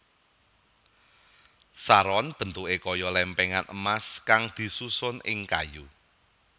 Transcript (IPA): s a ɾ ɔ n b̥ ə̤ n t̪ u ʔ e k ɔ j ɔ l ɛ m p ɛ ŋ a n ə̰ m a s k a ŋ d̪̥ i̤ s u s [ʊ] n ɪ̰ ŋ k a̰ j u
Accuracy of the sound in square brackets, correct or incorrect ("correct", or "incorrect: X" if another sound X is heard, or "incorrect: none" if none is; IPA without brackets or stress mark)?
correct